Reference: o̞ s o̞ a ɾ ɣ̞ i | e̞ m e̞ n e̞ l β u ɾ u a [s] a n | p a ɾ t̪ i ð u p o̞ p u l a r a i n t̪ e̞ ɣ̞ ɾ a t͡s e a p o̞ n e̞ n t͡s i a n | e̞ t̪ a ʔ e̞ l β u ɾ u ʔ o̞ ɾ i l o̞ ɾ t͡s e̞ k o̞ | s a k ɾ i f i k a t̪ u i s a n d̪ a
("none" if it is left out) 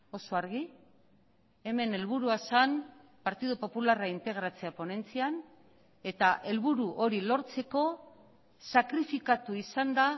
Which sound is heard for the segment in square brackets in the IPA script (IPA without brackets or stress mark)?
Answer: s